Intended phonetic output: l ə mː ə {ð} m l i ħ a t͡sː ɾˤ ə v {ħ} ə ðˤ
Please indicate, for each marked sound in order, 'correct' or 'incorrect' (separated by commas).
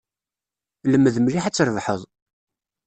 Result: correct, correct